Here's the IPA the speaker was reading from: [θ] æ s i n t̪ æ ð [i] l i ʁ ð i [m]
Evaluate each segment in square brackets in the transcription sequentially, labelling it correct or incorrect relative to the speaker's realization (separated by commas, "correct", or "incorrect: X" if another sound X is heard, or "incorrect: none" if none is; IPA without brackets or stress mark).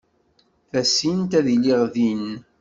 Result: correct, correct, incorrect: n